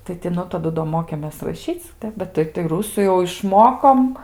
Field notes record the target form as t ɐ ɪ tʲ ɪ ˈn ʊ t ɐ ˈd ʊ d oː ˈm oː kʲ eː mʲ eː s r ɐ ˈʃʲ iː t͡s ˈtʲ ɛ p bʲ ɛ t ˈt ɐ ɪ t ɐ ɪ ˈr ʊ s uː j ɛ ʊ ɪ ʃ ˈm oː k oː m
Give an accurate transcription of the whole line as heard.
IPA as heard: t ɐ ɪ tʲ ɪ ˈn ʊ t ɐ ˈd ʊ d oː ˈm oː kʲ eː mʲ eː s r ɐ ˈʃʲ iː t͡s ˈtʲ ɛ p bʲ ɛ t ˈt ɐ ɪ t ɐ ɪ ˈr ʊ s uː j ɛ ʊ ɪ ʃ ˈm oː k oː m